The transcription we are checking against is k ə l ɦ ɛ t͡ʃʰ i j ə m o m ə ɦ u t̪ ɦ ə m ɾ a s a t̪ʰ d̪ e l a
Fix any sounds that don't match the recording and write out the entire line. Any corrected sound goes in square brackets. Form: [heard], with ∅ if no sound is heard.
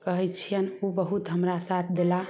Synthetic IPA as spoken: k ə [∅] ɦ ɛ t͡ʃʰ i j ə [n] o [b] ə ɦ u t̪ ɦ ə m ɾ a s a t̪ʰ d̪ e l a